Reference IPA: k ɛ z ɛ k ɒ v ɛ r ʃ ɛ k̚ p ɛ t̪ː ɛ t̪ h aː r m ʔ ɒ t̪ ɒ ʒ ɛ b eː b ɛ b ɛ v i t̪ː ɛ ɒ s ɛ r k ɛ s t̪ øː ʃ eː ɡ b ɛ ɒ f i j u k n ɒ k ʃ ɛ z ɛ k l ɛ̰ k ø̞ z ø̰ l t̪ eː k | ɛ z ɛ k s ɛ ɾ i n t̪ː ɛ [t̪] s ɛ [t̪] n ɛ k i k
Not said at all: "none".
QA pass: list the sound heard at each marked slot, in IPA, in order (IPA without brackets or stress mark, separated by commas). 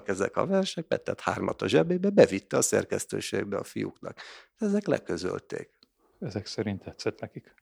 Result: t̪, t̪